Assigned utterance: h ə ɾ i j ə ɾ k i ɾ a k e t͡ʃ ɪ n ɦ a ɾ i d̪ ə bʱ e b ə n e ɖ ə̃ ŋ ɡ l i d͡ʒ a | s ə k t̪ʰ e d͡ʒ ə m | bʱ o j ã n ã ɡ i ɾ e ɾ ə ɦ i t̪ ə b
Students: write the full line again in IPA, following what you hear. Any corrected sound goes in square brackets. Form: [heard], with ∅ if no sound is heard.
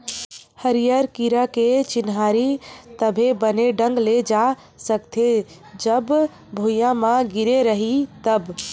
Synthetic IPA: h ə ɾ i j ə ɾ k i ɾ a k e t͡ʃ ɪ n ɦ a ɾ i [t̪] ə bʱ e b ə n e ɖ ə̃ ŋ ɡ l [e] d͡ʒ a | s ə k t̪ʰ e d͡ʒ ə [b] | bʱ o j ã [m] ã ɡ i ɾ e ɾ ə ɦ i t̪ ə b